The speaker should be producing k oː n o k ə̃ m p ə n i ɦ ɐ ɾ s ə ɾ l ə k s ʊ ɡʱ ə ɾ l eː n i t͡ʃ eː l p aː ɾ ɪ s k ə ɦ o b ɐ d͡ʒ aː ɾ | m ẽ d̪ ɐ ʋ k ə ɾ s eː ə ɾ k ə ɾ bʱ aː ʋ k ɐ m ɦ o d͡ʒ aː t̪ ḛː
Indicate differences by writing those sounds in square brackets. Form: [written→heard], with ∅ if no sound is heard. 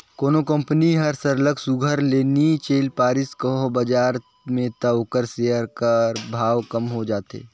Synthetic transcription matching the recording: k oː n o k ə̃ m p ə n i ɦ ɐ ɾ s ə ɾ l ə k s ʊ ɡʱ ə ɾ l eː n i t͡ʃ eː l p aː ɾ ɪ s k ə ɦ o b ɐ d͡ʒ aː ɾ | m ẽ [d̪→t̪] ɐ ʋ k ə ɾ s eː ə ɾ k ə ɾ bʱ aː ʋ k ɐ m ɦ o d͡ʒ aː t̪ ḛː